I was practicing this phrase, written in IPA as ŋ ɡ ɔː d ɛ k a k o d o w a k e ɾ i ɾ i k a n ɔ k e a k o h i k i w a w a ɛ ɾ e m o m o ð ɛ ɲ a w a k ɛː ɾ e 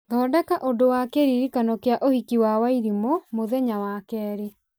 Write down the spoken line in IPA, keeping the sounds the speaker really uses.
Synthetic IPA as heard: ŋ ɡ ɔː d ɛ k a ʔ o d o w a k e ɾ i ɾ i k a n ɔ k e a ʔ o h i k i w a w a i ɾ i m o m o ð ɛ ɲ a w a k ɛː ɾ e